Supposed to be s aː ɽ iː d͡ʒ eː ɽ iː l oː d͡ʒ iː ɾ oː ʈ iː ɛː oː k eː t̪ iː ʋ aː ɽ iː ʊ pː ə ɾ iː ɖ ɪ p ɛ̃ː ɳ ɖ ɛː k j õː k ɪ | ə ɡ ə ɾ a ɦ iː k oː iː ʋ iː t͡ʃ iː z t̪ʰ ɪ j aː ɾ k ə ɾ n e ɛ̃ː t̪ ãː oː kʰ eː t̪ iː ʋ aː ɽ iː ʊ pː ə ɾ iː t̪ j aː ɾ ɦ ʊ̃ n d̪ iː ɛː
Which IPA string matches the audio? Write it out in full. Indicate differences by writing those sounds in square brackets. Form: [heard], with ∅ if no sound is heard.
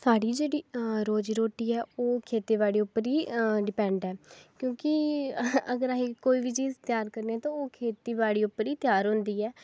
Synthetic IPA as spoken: s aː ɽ iː d͡ʒ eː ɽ iː [ɾ] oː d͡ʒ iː ɾ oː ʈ iː ɛː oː [kʰ] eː t̪ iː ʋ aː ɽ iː ʊ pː ə ɾ iː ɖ ɪ p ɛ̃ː ɳ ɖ ɛː k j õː k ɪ | ə ɡ ə ɾ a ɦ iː k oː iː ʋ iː t͡ʃ iː z [t̪] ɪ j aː ɾ k ə ɾ n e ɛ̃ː t̪ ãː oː kʰ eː t̪ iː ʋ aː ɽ iː ʊ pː ə ɾ iː t̪ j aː ɾ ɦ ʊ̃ n d̪ iː ɛː